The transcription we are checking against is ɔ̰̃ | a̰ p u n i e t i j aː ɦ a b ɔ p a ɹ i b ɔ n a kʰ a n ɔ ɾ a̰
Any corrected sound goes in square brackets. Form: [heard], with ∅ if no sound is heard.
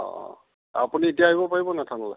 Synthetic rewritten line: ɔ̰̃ | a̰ p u n i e t i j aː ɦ [i] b ɔ p a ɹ i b ɔ n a [tʰ] a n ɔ [l] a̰